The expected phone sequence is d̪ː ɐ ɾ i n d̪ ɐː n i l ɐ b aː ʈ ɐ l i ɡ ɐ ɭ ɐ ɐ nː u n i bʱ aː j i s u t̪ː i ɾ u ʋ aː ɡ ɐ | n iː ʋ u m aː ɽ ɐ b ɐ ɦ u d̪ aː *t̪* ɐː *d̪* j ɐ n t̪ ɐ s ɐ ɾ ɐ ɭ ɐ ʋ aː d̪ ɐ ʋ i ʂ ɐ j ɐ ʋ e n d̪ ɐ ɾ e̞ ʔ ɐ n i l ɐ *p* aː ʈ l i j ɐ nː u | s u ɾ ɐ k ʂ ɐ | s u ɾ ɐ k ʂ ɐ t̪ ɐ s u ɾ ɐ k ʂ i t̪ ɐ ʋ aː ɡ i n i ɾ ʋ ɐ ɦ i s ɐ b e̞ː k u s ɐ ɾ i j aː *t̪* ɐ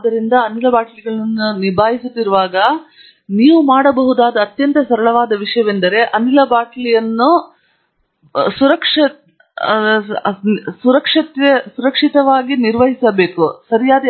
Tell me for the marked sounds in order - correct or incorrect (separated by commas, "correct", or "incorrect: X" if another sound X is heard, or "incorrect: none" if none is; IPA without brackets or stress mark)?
incorrect: d̪, incorrect: t̪, incorrect: b, incorrect: d̪